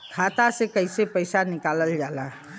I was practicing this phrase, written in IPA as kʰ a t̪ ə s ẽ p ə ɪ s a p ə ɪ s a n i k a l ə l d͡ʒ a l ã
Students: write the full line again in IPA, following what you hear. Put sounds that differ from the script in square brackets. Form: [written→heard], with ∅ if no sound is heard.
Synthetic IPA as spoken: kʰ a t̪ [ə→a] s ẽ [p→k] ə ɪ s [a→e] p ə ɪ s a n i k a l ə l d͡ʒ a l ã